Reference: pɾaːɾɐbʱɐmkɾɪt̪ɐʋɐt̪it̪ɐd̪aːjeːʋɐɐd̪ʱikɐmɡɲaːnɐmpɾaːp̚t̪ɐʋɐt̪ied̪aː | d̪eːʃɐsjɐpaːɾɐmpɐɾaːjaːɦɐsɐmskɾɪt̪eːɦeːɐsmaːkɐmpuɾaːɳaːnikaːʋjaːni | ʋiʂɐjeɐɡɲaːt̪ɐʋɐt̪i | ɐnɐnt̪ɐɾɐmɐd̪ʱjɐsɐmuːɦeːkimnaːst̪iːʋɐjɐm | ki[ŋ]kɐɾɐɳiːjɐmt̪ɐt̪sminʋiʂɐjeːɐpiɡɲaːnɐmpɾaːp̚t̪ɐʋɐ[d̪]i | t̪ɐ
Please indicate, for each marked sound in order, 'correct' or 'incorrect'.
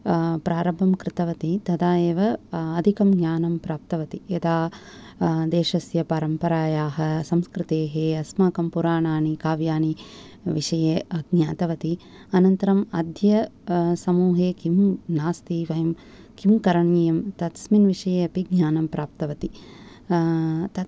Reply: incorrect, incorrect

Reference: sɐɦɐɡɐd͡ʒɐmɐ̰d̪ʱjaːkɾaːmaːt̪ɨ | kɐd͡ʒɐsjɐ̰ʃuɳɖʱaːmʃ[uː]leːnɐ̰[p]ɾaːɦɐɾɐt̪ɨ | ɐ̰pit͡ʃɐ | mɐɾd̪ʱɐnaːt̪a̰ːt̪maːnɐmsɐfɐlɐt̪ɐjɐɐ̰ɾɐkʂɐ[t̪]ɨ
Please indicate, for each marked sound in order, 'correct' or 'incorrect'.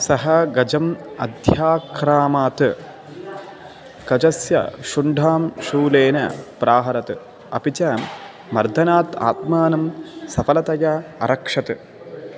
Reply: correct, correct, correct

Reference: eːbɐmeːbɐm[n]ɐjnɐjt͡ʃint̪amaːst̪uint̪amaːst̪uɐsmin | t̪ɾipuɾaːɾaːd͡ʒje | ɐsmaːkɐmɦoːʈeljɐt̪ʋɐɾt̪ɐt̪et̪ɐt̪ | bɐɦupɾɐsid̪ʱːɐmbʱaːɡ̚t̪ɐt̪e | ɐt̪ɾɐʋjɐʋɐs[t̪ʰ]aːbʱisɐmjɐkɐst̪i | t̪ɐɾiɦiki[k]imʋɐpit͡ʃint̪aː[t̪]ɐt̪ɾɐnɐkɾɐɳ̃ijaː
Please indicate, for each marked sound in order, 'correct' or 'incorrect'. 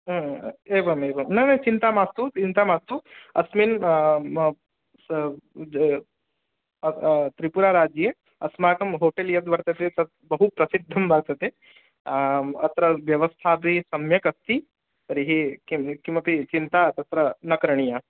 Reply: correct, correct, correct, correct

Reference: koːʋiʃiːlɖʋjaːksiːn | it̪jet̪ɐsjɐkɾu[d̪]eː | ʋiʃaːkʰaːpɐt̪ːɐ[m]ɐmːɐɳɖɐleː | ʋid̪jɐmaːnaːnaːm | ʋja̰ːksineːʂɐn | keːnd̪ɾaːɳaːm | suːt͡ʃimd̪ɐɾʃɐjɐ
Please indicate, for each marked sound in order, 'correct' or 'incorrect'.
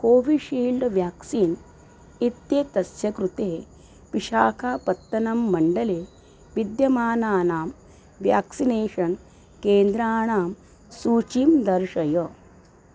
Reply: incorrect, incorrect

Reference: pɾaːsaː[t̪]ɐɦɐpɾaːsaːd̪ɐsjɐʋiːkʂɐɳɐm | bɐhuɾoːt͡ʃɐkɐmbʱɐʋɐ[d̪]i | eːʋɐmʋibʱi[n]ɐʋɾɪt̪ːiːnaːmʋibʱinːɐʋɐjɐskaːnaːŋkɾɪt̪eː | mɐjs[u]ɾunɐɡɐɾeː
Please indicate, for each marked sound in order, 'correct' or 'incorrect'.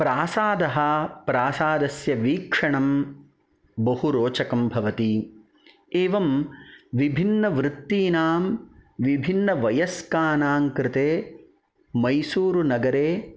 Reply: incorrect, incorrect, incorrect, incorrect

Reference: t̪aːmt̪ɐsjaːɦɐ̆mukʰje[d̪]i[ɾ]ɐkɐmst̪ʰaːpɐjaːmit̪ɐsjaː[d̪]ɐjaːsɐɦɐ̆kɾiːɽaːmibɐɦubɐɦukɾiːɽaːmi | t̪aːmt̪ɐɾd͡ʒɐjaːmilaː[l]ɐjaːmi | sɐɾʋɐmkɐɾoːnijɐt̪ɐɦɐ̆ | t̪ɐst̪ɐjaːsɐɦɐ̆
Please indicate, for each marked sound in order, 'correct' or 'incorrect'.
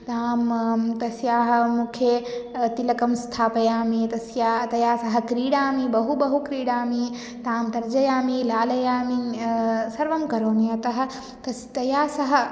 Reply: incorrect, incorrect, incorrect, correct

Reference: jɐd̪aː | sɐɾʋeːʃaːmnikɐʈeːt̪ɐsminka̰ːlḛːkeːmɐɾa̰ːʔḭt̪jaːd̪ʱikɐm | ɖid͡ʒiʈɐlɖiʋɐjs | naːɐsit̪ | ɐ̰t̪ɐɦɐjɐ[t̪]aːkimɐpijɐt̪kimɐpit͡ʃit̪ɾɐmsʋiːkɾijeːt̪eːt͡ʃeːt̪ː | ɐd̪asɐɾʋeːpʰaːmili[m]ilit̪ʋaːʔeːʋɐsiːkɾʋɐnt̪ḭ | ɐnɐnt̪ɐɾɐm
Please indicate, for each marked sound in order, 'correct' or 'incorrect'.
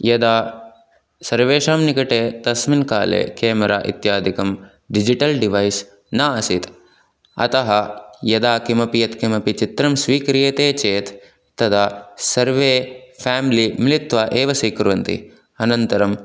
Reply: incorrect, correct

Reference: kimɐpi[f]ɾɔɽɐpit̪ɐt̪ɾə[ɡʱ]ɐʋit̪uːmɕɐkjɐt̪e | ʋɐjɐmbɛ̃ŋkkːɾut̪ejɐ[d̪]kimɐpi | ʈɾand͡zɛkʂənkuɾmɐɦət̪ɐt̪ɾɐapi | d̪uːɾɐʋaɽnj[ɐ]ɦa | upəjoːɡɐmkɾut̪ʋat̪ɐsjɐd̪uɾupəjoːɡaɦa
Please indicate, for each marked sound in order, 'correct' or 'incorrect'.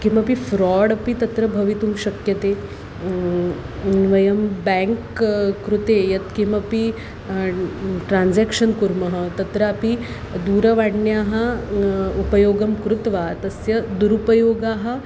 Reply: correct, incorrect, incorrect, incorrect

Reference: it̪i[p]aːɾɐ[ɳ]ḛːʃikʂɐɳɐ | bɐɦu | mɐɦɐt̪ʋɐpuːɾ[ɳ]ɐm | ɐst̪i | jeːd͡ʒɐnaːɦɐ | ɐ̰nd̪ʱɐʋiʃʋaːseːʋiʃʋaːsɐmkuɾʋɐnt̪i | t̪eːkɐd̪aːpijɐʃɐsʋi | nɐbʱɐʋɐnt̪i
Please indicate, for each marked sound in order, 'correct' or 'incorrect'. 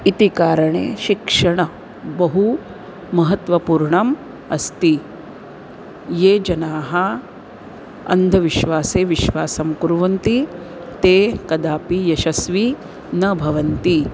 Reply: incorrect, correct, correct

